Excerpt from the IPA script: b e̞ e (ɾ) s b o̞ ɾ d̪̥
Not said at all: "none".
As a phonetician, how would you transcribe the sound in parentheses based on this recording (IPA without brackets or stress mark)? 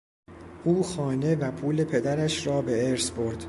ɾ